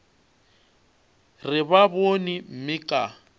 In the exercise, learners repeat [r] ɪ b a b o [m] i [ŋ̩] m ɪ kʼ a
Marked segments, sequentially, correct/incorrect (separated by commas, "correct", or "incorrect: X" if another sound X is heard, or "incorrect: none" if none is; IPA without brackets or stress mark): correct, incorrect: n, incorrect: m̩